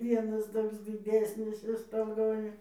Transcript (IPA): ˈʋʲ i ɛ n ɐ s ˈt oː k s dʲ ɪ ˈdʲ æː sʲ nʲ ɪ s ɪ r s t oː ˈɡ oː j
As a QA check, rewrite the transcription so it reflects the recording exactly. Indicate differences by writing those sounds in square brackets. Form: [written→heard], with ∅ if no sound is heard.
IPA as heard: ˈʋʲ i ɛ n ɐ s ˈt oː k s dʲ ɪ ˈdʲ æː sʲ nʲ ɪ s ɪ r s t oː ˈɡ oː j